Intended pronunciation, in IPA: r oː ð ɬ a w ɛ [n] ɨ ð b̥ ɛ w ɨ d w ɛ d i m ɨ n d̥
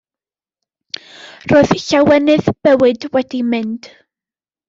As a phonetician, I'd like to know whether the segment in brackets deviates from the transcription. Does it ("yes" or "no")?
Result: no